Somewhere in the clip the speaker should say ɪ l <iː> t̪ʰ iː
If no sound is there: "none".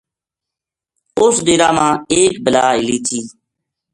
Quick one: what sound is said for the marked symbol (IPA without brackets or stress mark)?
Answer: iː